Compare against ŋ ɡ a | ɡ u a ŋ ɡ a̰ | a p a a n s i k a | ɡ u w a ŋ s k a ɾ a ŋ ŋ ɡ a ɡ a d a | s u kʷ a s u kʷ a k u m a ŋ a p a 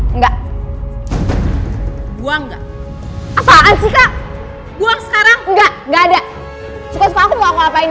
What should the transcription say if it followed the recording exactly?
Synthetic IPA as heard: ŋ ɡ a | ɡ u a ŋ ɡ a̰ | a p a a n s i k a | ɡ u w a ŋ s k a ɾ a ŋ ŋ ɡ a ɡ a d a | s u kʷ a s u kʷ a k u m a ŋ a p a